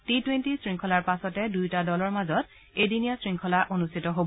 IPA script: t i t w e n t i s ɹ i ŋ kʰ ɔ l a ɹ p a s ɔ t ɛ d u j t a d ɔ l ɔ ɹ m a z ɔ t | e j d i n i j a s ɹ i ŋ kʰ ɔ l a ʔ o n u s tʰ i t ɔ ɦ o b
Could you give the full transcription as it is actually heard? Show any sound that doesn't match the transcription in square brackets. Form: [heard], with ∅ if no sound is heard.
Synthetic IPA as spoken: t i t w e n t i s ɹ i ŋ kʰ ɔ l a ɹ p a s ɔ t ɛ d u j t a d ɔ l ɔ ɹ m a z ɔ t | e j d i n i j a s ɹ i ŋ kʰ ɔ l a ʔ o n u s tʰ i t ɔ ɦ o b